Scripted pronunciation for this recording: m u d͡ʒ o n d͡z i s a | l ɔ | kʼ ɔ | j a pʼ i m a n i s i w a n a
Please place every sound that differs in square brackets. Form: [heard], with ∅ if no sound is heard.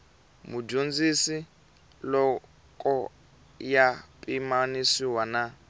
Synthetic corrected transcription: m u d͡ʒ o n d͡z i s [i] | l ɔ | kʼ ɔ | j a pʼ i m a n i s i w a n a